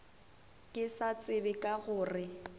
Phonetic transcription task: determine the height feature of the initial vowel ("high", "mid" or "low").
high